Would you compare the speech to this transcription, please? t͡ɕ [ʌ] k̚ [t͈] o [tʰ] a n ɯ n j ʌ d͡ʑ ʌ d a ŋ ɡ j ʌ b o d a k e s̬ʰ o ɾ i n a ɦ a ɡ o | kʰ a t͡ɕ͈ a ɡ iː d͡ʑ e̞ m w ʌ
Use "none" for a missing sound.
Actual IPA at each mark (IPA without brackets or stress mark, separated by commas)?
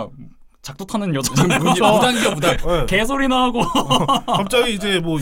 a, t͈, tʰ